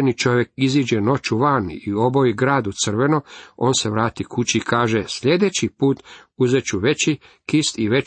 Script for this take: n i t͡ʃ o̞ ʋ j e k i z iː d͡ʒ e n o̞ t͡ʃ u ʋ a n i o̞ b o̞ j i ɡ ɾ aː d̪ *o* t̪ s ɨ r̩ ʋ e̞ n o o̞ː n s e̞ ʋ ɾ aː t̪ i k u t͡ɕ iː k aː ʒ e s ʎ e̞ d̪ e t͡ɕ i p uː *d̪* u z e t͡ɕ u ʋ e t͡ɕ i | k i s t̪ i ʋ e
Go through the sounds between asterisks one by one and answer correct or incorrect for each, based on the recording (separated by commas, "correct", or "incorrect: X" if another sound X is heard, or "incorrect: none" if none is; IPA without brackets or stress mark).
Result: incorrect: u, incorrect: t̪